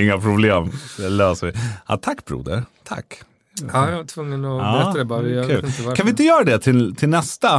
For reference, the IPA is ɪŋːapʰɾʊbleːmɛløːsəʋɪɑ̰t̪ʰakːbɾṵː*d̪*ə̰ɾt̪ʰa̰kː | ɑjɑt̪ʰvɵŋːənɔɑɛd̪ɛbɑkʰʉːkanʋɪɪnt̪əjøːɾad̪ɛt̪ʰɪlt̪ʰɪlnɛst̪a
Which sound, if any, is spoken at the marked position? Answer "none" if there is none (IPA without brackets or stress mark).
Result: d̪